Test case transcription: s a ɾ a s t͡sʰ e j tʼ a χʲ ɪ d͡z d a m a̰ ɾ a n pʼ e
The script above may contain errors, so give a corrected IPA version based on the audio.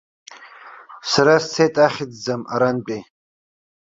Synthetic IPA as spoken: s a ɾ a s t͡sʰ e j tʼ a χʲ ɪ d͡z d͡z a m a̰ ɾ a n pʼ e

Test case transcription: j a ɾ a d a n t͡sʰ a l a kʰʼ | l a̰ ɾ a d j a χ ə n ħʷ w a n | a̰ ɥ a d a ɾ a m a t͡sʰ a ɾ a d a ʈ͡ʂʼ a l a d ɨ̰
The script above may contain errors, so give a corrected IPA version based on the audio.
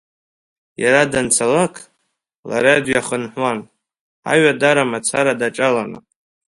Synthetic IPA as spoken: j a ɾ a d a n t͡sʰ a l a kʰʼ | l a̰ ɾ a d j a χ ə n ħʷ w a n | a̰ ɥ a d a ɾ a m a t͡sʰ a ɾ a d a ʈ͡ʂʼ a l a n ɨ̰

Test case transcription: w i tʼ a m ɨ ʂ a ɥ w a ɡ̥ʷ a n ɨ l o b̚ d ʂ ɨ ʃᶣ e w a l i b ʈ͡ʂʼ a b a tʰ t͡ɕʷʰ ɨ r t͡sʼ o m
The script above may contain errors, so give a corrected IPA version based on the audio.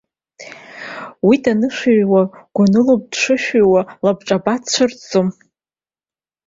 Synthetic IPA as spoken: w i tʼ a n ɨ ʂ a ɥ w a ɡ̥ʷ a n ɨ l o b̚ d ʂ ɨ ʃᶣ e w a l a b ʈ͡ʂʼ a b a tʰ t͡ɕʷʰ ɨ r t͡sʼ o m

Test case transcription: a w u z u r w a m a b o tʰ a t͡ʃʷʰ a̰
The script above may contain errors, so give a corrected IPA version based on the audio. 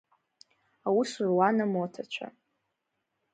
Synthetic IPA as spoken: a w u s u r w a n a m o tʰ a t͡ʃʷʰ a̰

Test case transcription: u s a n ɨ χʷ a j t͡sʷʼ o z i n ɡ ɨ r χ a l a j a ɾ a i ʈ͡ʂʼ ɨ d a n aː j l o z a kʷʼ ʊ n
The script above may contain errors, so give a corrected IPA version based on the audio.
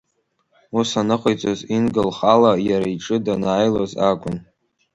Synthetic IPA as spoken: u s a n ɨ χʷ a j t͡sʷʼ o z i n ɡ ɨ l χ a l a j a ɾ a i ʈ͡ʂʼ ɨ d a n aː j l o z a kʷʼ ʊ n

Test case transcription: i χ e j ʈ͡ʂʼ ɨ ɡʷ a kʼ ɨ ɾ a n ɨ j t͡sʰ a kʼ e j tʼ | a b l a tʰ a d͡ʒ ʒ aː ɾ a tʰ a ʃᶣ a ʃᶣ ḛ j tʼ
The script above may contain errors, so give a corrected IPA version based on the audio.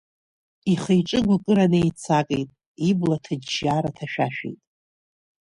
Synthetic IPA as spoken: i χ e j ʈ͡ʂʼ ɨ ɡʷ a kʼ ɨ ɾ a n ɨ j t͡sʰ a kʼ e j tʼ | i b l a tʰ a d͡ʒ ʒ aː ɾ a tʰ a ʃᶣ a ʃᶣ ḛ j tʼ

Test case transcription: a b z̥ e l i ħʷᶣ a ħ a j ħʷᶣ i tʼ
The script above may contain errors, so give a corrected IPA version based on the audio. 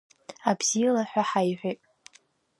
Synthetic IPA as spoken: a b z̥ i l a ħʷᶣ a ħ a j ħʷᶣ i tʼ

